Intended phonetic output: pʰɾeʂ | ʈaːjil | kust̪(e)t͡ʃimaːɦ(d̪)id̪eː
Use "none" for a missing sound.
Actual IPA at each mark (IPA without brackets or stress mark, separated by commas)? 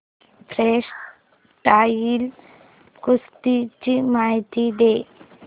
i, t̪